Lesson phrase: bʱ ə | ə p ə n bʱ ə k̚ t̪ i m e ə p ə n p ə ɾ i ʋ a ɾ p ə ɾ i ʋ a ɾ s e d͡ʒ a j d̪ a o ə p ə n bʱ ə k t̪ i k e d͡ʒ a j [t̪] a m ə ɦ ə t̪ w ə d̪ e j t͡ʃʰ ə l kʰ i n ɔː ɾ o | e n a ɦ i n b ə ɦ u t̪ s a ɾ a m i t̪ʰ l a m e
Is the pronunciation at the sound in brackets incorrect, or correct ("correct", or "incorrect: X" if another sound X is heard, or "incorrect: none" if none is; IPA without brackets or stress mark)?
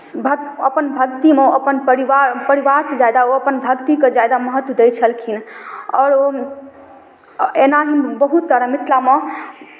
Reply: incorrect: d̪